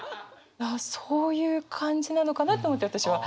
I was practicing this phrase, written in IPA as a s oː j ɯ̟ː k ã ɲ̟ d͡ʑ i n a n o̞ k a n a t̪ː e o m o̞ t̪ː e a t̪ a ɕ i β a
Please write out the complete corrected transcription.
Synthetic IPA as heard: a s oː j ɯ̟ː kʰ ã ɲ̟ d͡ʑ i n a n o̞ k a n a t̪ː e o m o̞ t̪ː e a t̪ a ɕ i β a